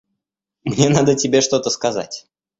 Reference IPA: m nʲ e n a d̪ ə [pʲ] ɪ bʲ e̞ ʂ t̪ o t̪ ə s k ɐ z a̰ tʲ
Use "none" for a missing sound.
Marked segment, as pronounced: tʲ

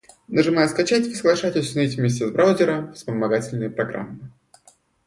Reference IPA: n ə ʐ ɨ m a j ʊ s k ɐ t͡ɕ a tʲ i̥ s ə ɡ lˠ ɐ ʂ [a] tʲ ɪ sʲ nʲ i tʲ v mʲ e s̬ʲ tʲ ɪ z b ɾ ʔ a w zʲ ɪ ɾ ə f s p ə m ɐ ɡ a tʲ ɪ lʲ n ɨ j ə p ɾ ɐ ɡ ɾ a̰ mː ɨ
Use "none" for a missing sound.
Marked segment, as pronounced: a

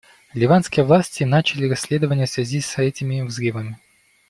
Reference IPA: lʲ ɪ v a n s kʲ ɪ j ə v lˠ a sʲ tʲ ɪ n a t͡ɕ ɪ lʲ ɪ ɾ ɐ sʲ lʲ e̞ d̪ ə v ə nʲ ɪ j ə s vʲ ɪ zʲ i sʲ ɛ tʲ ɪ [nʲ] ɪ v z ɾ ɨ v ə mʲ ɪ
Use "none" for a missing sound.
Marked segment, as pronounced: mʲ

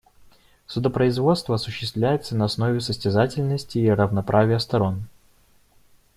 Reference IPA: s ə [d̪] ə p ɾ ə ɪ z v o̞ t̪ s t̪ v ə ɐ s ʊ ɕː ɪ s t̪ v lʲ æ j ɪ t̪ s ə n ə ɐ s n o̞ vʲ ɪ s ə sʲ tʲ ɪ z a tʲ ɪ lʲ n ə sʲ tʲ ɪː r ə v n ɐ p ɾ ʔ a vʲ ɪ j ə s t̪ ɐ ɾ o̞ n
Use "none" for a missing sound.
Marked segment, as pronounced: d̪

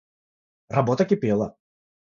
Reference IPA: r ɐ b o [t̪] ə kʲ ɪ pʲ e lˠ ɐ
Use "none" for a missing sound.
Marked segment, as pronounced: t̪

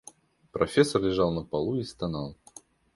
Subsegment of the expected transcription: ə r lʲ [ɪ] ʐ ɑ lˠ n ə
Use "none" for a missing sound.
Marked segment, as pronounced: ɪ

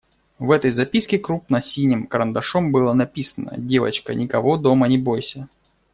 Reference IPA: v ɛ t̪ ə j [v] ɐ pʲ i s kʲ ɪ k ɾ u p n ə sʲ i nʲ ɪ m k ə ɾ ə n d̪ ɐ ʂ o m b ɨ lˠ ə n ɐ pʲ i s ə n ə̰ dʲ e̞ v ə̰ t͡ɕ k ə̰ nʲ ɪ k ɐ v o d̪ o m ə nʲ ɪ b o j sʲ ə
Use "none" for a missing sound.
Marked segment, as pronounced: z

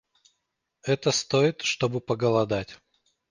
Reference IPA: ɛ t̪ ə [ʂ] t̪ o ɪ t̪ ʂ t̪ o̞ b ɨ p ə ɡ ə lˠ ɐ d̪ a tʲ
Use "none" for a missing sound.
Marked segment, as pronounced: s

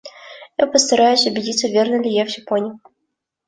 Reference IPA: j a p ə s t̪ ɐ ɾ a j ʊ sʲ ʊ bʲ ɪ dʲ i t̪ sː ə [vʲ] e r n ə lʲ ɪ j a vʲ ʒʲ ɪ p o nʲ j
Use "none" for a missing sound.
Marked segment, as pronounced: vʲ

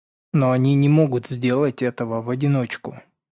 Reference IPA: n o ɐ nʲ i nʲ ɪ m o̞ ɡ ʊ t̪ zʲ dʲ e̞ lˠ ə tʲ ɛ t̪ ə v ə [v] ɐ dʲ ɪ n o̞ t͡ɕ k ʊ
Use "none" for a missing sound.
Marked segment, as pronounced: v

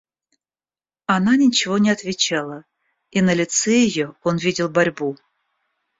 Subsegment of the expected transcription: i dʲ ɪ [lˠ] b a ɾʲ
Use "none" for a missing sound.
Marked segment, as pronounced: lˠ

